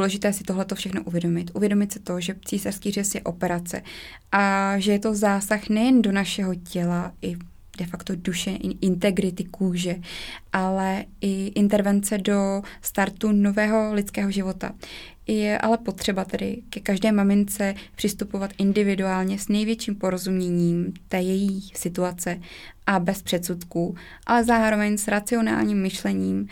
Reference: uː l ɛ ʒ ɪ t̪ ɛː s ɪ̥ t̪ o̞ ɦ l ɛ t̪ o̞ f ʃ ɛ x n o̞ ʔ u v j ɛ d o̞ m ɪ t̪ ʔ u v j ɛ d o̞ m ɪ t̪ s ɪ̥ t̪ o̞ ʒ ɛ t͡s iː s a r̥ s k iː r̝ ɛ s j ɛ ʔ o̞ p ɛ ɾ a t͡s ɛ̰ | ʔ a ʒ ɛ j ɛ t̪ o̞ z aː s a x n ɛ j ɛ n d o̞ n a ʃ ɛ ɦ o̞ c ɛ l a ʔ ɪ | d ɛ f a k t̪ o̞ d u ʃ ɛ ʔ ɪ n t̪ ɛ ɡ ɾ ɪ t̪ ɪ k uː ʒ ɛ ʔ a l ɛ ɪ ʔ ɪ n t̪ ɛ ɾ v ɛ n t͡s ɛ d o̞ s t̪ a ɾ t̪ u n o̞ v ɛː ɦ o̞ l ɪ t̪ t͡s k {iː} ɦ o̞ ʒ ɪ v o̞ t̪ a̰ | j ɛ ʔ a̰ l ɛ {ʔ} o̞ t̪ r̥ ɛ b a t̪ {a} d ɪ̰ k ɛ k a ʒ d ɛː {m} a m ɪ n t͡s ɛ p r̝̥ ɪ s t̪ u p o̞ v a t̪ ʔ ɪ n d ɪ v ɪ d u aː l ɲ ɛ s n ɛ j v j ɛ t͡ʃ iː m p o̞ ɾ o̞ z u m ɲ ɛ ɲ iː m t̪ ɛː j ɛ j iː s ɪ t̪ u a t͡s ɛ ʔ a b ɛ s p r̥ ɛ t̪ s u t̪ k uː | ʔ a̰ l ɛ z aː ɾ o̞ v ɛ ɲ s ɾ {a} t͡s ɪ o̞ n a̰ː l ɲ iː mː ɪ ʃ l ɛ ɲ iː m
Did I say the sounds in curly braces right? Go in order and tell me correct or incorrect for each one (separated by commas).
incorrect, incorrect, incorrect, correct, correct